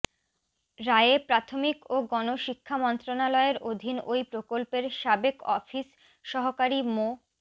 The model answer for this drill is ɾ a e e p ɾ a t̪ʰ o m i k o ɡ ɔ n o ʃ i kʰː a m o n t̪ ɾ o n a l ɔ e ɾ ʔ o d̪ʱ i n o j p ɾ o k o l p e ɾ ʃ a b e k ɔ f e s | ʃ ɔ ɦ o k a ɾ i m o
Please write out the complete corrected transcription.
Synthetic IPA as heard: ɾ a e e p ɾ a t̪ʰ o m i k o ɡ ɔ n o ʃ i kʰː a m ɔ n t̪ ɾ o n a l ɔ e ɾ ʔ o d̪ʱ i n o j p ɾ o k o l p e ɾ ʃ a b e k ɔ f i s | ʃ ɔ ɦ o k a ɾ i m o